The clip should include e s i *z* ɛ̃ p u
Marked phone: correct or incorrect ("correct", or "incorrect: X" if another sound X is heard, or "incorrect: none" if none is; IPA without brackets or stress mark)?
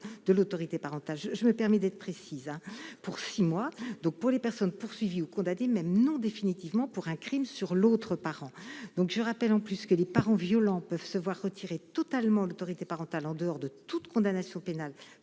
correct